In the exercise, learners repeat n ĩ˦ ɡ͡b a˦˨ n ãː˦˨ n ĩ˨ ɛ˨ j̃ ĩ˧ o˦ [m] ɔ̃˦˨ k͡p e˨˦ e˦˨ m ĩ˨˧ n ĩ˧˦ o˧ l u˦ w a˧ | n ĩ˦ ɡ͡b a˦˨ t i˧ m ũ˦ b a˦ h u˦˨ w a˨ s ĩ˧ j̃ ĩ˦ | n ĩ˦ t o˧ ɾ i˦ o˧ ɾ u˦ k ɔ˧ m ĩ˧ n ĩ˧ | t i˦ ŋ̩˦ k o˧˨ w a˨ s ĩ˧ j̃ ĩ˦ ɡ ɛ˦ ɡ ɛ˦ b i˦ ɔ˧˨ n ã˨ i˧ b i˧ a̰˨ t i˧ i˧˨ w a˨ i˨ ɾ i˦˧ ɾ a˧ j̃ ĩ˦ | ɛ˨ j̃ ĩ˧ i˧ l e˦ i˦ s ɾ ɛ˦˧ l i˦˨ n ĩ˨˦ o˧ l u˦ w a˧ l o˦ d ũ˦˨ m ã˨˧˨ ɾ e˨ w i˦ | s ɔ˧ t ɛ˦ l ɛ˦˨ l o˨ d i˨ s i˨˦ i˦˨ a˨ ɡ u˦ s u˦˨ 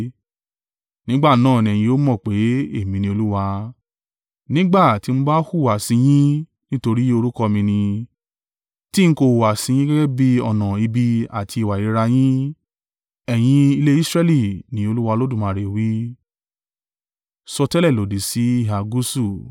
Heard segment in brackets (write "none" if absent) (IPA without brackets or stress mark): m